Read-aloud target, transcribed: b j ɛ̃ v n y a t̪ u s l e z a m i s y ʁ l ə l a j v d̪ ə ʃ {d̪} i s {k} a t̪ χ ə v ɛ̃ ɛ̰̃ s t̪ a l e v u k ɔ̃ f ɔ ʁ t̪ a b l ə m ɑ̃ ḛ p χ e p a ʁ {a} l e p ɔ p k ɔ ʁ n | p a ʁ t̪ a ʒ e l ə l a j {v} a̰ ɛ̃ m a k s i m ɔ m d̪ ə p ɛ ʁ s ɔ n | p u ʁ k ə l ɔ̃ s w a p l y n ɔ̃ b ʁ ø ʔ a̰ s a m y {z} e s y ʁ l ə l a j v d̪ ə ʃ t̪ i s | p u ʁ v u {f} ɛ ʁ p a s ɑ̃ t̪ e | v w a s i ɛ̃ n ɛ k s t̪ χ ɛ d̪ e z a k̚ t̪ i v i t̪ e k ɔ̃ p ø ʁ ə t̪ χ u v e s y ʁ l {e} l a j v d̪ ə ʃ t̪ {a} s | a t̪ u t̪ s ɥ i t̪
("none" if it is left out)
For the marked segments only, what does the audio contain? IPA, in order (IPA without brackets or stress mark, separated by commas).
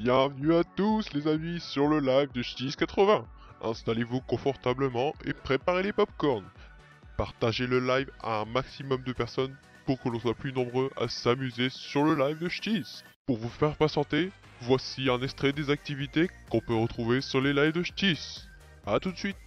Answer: t̪, k, e, v, z, f, e, i